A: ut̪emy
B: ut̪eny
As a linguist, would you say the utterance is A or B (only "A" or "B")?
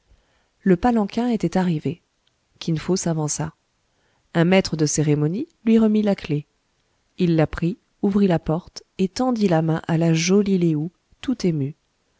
A